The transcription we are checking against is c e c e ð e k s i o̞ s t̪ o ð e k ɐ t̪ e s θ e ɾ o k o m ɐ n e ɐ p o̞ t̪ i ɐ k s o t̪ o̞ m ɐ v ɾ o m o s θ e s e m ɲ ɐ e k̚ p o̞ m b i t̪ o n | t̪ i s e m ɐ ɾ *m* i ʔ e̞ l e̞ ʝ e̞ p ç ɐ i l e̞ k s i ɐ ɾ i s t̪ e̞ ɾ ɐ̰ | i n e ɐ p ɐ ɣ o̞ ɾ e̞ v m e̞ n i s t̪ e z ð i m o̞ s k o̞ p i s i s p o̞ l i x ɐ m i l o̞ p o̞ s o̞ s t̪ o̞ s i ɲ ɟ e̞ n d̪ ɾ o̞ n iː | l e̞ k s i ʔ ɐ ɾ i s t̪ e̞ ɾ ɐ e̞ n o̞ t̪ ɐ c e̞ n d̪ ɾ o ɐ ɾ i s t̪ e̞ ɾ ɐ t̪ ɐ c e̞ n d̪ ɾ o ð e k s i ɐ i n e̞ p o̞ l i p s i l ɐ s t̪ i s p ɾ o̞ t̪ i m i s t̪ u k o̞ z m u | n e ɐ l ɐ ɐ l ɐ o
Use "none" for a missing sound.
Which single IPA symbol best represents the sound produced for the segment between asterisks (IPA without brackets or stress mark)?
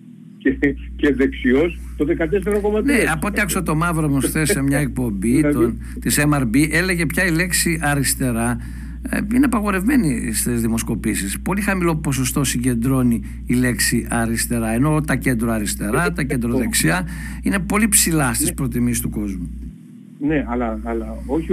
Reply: b